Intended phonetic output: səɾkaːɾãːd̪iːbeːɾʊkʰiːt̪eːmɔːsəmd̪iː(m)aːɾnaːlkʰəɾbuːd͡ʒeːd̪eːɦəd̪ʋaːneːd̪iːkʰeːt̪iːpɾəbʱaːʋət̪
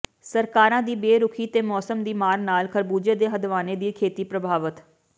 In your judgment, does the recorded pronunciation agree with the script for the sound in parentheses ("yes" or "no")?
yes